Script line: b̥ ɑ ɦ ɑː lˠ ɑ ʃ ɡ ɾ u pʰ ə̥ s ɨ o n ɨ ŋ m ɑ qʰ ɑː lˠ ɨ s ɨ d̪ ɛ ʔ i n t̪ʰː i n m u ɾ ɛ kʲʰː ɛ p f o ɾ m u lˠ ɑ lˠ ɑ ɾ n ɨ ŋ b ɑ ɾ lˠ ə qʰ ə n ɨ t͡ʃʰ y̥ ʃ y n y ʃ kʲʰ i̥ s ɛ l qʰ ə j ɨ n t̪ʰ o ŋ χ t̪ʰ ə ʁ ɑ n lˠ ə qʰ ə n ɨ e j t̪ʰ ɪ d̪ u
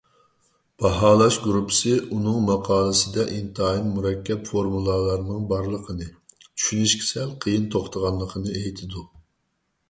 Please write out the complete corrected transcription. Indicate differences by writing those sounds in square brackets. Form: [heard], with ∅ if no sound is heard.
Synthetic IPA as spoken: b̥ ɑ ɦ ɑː lˠ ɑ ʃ ɡ ɾ u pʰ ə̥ s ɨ [u] n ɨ ŋ m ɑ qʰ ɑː lˠ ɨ s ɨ d̪ ɛ ʔ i n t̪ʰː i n m u ɾ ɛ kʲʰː ɛ p f o ɾ m u lˠ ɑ lˠ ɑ ɾ n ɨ ŋ b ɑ ɾ lˠ ə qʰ ə n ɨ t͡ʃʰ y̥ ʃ y n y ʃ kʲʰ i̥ s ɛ l qʰ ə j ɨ n t̪ʰ o [∅] χ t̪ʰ ə ʁ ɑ n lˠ ə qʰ ə n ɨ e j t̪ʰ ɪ d̪ u